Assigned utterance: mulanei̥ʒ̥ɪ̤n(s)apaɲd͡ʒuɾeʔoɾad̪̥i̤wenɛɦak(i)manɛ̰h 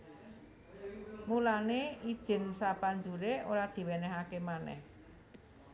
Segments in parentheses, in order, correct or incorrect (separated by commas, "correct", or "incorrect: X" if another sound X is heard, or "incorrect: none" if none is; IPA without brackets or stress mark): correct, incorrect: e